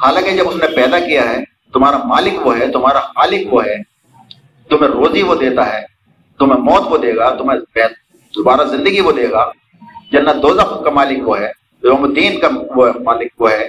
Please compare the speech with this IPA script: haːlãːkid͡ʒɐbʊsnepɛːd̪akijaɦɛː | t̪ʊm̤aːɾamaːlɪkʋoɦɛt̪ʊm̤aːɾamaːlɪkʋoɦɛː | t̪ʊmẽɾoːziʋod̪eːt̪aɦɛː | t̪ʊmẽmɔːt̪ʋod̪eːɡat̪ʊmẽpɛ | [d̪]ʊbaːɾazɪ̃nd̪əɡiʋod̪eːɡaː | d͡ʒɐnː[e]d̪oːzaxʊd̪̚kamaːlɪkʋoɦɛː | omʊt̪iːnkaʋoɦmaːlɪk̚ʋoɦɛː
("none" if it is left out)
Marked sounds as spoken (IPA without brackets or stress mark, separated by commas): d̪, a